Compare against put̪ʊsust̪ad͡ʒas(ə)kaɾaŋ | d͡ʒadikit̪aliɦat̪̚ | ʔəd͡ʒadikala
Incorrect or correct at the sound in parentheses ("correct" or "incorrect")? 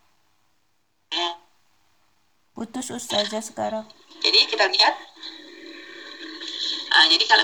correct